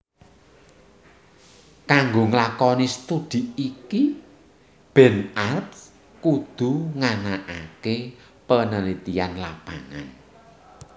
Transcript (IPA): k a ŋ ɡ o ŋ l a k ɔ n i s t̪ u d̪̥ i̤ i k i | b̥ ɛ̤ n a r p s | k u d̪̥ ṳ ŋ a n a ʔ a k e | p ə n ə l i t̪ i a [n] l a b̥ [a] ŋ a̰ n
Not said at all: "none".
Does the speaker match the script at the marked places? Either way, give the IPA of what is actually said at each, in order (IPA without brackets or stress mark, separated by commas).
n, a